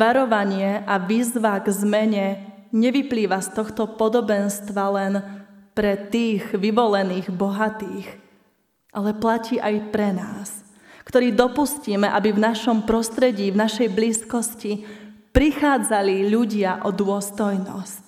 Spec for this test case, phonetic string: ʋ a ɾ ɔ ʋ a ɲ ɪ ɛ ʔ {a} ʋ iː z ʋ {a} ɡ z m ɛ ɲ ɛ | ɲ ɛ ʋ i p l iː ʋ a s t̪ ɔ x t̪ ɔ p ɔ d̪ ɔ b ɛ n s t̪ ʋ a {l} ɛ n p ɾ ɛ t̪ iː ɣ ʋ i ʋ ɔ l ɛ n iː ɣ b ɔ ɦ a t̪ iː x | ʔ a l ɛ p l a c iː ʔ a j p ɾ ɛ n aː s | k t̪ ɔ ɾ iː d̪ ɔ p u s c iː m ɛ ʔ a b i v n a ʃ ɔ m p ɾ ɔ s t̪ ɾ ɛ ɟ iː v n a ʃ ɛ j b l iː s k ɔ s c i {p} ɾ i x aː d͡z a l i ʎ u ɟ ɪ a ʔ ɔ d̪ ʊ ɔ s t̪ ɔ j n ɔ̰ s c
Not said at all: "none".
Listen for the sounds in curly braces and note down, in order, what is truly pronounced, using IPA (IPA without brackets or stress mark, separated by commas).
a, a, l, p